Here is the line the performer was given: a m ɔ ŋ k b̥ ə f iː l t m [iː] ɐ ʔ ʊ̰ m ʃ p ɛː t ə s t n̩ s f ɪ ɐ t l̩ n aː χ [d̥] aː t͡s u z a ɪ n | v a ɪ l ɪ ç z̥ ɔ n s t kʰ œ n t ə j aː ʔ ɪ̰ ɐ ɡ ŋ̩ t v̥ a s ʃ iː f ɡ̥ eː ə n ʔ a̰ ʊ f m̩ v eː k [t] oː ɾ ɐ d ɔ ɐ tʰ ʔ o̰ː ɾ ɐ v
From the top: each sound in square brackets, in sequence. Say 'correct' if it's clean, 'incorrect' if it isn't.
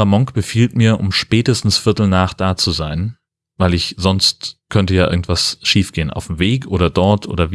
correct, correct, incorrect: ʔ

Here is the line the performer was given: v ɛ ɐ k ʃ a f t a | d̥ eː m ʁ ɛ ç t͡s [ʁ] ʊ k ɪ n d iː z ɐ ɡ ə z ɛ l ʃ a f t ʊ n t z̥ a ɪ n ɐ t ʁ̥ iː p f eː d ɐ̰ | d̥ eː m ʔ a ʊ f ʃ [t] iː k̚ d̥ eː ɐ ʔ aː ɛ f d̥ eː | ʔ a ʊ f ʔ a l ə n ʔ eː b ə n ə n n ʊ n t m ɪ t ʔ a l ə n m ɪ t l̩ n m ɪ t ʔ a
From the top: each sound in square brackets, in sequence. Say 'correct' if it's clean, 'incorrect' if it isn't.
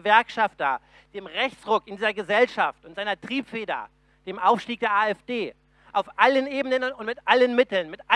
correct, correct

